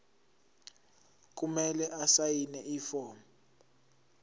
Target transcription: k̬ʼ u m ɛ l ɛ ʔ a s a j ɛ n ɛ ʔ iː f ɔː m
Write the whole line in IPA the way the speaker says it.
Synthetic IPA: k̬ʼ u m ɛ l ɛ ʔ a s a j i n ɛ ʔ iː f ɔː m